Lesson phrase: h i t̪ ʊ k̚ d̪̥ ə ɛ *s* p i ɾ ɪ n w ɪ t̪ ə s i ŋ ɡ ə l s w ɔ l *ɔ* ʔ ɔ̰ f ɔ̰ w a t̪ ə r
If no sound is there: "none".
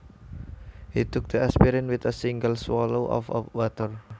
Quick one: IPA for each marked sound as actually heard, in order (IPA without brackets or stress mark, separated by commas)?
s, o